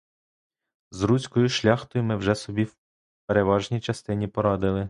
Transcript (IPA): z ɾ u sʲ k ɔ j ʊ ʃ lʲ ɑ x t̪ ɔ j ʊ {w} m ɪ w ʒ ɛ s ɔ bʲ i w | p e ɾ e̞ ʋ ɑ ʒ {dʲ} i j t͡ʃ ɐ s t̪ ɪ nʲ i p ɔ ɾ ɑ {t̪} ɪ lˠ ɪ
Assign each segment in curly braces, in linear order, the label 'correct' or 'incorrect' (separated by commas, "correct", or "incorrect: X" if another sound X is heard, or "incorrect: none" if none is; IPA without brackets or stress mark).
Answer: incorrect: none, incorrect: nʲ, incorrect: d̪